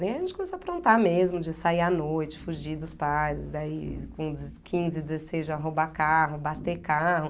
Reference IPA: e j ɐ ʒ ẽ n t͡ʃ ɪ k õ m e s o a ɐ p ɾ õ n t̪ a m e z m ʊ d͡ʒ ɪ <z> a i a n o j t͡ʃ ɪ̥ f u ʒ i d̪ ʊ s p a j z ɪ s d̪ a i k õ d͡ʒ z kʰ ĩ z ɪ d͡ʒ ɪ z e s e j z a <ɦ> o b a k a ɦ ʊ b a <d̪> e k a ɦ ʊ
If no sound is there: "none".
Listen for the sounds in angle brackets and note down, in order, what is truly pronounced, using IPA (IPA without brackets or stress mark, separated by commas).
s, ɦ, t̪